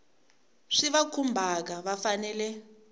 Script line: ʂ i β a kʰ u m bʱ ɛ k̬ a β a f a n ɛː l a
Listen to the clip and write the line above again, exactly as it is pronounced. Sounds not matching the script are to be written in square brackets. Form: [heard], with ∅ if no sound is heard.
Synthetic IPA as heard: ʂ i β a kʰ u m bʱ [a] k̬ a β a f a n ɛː l [ɛ]